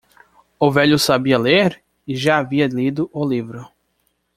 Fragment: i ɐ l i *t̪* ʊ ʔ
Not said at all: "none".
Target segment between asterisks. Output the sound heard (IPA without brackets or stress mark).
d̪